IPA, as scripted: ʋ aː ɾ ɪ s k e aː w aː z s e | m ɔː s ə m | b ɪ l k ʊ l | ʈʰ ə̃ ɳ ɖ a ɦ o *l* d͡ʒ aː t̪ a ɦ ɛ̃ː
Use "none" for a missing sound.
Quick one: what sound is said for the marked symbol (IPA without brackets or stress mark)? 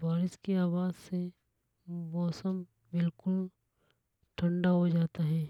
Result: none